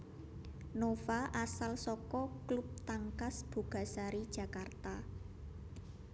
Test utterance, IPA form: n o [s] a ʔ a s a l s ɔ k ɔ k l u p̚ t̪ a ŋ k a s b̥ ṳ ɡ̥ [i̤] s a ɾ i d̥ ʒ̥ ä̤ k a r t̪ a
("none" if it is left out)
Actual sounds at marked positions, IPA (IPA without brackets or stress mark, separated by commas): f, a̤